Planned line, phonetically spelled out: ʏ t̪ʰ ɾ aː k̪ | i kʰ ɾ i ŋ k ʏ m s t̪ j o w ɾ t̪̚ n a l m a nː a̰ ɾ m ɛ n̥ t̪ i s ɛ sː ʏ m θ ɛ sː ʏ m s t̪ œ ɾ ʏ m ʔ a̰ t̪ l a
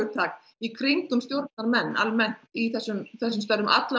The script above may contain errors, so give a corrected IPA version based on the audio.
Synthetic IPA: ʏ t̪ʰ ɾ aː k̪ | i kʰ ɾ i ŋ k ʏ m s t̪ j o w ɾ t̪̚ n a ɾ m ɛ nː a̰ l m ɛ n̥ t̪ i θ ɛ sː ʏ m θ ɛ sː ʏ m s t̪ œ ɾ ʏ m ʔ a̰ t̪ l a

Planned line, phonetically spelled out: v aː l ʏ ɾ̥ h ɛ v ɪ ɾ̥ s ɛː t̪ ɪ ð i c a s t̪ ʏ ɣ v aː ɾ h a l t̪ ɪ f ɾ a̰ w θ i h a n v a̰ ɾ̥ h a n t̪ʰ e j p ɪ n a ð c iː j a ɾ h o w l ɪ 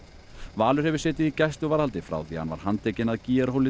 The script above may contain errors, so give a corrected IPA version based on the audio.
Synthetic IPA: v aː l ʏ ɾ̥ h ɛ v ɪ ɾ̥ s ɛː t̪ ɪ ð i c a s t̪ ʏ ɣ v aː ɾ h a l t̪ ɪ f ɾ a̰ w θ i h a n v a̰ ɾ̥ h a n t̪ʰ e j c ɪ n a ð c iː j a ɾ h o w l ɪ

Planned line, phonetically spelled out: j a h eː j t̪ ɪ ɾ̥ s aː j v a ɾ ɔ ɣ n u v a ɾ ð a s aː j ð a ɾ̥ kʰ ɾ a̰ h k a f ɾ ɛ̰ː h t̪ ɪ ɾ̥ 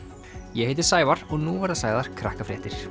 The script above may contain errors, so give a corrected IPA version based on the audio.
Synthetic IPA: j ɛ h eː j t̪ ɪ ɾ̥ s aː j v a ɾ ɔ ɣ n u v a ɾ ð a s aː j ð a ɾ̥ kʰ ɾ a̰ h k a f ɾ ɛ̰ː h t̪ ɪ ɾ̥

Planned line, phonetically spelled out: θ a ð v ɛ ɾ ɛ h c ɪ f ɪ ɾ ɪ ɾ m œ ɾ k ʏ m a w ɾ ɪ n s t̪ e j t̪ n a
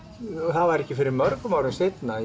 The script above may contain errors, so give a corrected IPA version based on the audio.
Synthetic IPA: θ a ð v a ɾ ɛ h c ɪ f ɪ ɾ ɪ ɾ m œ ɾ k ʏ m a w ɾ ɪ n s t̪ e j t̪ n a

